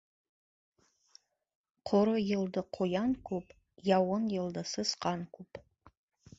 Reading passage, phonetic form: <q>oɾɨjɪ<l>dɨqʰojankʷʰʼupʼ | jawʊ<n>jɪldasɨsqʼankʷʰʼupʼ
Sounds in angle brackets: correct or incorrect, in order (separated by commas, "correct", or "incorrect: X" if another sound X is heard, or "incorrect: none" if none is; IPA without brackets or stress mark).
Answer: incorrect: qʰ, correct, correct